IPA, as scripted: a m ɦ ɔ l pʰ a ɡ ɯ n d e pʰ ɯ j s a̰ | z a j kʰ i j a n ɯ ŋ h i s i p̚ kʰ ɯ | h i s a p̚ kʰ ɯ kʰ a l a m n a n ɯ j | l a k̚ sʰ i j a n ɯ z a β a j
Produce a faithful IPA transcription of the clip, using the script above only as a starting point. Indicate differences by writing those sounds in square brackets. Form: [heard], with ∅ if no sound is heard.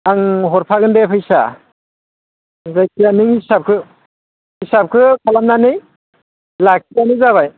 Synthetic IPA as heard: a [ŋ] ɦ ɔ [ɾ] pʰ a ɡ ɯ n d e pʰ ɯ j s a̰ | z a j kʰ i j a n ɯ ŋ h i s [a] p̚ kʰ ɯ | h i s a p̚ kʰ ɯ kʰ a l a m n a n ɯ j | l a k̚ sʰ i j a n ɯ z a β a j